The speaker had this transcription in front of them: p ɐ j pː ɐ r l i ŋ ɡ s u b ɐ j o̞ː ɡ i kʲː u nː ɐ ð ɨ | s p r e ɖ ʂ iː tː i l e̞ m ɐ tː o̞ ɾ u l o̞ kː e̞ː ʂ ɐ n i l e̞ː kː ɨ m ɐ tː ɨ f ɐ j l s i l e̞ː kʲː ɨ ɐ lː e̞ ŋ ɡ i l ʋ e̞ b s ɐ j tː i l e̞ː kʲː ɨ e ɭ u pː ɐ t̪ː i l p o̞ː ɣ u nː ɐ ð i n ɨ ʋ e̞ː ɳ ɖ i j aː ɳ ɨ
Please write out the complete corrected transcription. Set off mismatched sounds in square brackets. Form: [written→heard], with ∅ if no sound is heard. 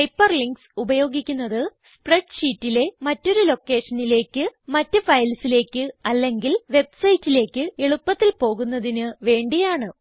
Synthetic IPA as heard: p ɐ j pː ɐ r l i ŋ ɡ s u b ɐ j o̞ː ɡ i kʲː u nː ɐ ð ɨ | s p r e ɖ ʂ iː tː i l e̞ m ɐ tː o̞ ɾ u l o̞ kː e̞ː ʂ ɐ n i l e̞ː kː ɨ m ɐ tː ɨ f ɐ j l s i l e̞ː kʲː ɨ ɐ lː e̞ ŋ ɡ i l ʋ e̞ b s ɐ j tː i l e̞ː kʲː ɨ e ɭ u pː ɐ t̪ː i l p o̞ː ɣ u nː ɐ ð i n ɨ ʋ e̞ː ɳ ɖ i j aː ɳ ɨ